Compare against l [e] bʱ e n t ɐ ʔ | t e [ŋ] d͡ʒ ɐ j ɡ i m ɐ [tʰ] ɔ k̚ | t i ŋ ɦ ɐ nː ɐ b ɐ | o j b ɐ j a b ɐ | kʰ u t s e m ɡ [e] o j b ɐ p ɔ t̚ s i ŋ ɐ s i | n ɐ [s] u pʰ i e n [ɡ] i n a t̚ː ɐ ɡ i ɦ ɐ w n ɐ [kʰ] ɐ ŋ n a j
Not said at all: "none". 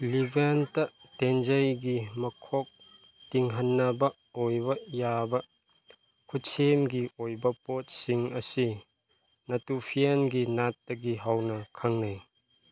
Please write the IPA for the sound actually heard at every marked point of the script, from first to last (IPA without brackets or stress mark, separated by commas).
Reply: i, n, kʰ, i, t, ɡ, kʰ